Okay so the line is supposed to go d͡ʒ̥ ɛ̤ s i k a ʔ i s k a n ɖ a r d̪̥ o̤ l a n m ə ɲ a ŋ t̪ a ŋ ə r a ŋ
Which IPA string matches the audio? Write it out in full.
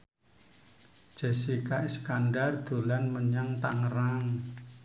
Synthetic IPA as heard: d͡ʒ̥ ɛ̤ s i k a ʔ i s k a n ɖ a r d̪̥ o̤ l a n m ə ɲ a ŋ t̪ a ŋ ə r a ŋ